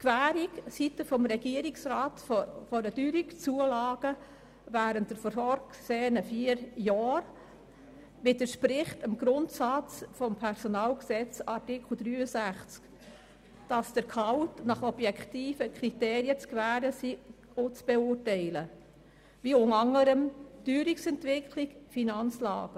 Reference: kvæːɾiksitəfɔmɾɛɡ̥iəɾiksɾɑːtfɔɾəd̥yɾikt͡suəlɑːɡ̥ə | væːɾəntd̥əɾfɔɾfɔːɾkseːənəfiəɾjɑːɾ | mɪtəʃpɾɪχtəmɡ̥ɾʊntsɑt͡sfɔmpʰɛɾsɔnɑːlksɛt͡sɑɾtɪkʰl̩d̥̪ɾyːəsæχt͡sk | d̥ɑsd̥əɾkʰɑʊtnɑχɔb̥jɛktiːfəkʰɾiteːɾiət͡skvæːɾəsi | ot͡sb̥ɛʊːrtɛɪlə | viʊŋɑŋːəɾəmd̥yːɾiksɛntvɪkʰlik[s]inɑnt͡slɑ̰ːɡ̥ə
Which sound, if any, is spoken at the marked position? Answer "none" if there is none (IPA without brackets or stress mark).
f